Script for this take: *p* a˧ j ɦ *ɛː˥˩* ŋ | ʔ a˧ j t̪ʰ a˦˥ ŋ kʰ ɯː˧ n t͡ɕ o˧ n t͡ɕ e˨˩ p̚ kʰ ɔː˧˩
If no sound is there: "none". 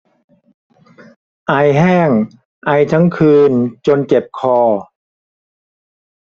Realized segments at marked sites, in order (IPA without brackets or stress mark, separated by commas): ʔ, ɛː˥˩